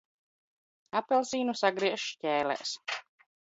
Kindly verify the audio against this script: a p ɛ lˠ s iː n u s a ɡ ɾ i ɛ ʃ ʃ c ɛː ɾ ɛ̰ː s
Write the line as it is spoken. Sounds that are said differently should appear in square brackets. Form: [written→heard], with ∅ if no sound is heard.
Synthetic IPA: a p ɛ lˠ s iː n u s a ɡ ɾ i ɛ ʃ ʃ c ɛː [ɾ→l] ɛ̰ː s